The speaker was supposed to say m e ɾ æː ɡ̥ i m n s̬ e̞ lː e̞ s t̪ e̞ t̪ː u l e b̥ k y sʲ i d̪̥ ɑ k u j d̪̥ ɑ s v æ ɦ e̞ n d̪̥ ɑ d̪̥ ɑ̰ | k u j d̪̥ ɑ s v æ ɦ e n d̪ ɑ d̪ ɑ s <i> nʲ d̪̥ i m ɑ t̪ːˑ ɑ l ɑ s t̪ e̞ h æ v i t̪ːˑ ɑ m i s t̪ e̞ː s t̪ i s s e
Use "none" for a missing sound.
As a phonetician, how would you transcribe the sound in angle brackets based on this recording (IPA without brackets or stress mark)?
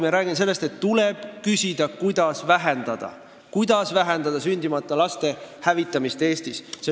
y